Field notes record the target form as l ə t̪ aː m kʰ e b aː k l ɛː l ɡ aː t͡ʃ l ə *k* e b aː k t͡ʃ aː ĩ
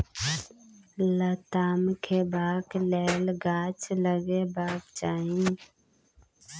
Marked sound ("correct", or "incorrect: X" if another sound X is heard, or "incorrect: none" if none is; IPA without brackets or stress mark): incorrect: ɡ